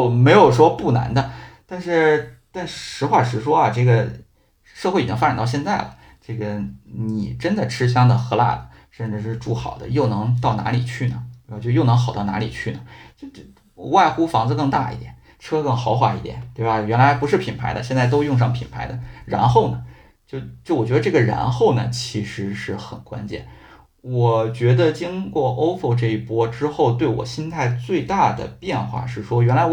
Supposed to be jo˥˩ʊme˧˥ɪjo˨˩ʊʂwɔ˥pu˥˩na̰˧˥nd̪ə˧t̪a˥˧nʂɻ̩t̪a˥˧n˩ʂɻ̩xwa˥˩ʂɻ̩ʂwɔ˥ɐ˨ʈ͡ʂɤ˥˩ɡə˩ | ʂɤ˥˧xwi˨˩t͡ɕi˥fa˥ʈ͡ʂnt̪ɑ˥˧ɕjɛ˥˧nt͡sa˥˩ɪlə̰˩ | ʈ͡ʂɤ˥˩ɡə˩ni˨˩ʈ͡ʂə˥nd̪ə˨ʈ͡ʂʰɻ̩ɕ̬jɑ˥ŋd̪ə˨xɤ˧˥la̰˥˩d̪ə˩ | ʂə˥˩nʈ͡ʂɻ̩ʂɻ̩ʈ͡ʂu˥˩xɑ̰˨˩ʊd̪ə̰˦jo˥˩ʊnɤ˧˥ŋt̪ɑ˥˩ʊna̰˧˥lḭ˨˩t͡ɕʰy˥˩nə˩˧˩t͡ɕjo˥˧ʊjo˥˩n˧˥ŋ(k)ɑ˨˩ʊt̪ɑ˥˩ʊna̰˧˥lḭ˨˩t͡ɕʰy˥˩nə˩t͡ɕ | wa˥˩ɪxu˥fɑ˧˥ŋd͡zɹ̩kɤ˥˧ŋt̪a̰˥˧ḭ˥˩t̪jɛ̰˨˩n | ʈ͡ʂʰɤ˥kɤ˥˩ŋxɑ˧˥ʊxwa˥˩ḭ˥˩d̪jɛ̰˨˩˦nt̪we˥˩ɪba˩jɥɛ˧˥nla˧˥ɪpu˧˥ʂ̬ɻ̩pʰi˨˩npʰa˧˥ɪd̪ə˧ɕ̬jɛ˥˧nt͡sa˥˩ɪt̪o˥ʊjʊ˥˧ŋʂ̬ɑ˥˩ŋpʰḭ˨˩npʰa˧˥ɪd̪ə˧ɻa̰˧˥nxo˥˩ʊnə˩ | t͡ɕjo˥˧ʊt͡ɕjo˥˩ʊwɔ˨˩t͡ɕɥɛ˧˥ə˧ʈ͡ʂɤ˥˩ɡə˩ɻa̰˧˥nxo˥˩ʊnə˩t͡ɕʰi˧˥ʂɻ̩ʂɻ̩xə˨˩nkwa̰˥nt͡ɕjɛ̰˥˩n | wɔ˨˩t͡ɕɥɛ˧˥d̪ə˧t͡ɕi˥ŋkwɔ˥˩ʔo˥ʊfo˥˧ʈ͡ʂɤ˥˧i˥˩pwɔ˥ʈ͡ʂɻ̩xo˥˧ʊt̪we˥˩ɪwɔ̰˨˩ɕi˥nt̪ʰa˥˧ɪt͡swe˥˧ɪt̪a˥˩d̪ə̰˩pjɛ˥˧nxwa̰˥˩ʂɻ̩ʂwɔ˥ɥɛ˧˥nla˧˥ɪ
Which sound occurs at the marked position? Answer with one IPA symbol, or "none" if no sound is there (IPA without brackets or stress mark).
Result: x